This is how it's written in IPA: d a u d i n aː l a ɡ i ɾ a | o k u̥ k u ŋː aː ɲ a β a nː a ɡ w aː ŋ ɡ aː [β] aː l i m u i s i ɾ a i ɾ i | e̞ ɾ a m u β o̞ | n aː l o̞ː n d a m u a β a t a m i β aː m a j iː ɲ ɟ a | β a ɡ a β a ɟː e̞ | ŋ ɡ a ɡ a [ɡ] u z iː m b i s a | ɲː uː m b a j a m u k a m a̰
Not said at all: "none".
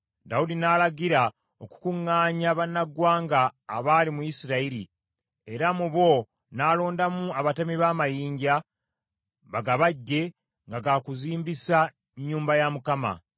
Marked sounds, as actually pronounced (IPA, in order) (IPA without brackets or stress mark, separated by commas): β, k